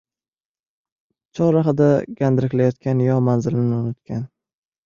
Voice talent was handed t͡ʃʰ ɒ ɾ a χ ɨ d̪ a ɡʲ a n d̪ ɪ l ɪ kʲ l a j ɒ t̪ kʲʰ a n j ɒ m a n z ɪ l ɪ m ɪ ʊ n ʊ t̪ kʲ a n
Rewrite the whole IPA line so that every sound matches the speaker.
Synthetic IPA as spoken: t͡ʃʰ ɒ ɾ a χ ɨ d̪ a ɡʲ a n d̪ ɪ ɾ ɪ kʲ l a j ɒ t̪ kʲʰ a n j ɒ m a n z ɪ l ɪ n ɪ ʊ n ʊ t̪ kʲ a n